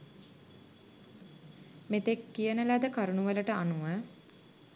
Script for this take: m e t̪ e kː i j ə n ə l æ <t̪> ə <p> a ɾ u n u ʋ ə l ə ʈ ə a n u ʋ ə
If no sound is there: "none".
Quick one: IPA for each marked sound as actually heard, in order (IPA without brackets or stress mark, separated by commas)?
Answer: d̪, k